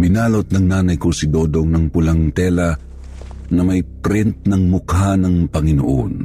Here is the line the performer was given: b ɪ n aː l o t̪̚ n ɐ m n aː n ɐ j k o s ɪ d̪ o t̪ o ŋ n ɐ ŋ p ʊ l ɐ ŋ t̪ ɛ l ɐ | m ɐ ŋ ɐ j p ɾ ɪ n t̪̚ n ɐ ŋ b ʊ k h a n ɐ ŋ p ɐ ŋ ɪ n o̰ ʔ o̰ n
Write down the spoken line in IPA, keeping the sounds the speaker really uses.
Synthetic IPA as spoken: b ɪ n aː l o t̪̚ n ɐ ŋ n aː n ɐ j k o s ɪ d̪ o d̪ o ŋ n ɐ ŋ p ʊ l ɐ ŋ t̪ ɛ l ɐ | n ɐ m ɐ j p ɾ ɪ n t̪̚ n ɐ ŋ m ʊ k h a n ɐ ŋ p ɐ ŋ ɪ n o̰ ʔ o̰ n